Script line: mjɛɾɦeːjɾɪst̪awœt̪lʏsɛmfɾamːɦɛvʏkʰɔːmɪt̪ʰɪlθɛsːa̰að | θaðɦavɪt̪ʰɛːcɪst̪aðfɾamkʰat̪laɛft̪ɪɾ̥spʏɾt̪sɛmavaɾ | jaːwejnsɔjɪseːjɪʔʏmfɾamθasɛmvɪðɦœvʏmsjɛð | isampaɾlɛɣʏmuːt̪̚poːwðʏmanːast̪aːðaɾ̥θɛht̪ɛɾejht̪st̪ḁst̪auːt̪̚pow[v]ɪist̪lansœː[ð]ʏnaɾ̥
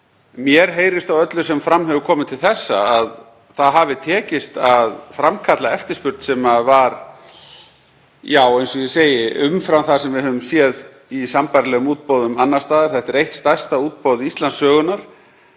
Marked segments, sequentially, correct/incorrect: incorrect, incorrect

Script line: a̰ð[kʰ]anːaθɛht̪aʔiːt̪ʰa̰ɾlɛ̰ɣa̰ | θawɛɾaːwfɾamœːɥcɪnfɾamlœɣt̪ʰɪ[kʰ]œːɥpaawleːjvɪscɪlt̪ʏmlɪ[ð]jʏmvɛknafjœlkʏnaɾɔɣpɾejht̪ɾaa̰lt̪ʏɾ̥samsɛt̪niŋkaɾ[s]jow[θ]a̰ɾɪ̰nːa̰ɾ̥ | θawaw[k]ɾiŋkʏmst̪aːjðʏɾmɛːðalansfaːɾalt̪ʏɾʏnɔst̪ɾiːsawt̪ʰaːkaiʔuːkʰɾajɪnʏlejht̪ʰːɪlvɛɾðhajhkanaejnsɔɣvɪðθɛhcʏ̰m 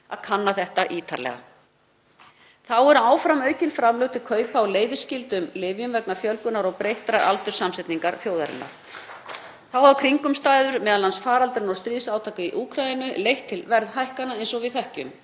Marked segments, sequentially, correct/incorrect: correct, correct, incorrect, incorrect, incorrect, incorrect

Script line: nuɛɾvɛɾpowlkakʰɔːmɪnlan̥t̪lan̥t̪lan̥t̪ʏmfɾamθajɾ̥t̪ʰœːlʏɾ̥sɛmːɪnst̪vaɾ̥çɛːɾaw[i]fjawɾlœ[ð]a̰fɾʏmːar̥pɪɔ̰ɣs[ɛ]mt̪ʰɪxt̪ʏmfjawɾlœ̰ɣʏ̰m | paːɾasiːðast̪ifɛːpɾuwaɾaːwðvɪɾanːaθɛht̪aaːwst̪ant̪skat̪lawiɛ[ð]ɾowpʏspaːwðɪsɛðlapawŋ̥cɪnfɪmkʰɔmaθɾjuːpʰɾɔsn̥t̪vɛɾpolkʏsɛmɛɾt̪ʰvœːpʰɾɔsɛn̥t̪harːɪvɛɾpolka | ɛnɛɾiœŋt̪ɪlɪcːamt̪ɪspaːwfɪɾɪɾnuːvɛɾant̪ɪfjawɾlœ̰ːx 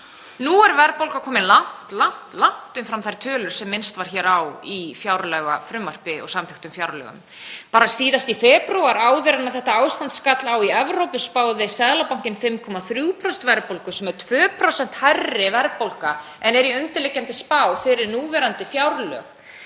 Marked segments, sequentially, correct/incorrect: correct, incorrect, incorrect, incorrect

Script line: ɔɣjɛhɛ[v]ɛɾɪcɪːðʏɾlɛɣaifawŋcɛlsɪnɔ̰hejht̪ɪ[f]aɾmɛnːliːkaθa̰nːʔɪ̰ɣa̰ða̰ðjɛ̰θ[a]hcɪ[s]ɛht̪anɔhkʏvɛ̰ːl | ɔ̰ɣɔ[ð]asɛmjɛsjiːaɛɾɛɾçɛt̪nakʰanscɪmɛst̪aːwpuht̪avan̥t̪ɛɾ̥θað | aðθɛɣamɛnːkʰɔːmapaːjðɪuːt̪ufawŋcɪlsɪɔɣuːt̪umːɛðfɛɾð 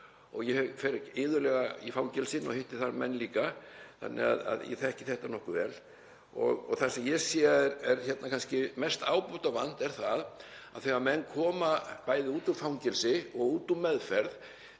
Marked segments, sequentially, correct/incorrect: incorrect, incorrect, incorrect, incorrect, incorrect

